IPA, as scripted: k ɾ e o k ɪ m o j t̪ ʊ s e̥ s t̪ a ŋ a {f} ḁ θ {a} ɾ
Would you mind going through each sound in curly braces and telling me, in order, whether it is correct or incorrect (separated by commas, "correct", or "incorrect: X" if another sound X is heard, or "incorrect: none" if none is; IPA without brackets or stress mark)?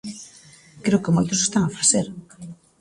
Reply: correct, incorrect: e